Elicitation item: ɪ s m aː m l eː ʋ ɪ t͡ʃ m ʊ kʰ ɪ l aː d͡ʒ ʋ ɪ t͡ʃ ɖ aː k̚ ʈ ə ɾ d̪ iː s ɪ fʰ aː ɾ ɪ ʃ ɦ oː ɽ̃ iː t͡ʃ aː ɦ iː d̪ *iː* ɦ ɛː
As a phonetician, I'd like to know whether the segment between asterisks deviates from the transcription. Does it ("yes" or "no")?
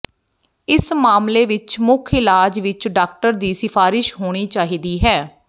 no